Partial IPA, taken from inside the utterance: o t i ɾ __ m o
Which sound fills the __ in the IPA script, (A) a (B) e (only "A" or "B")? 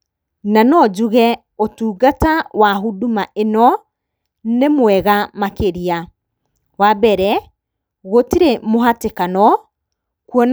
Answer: B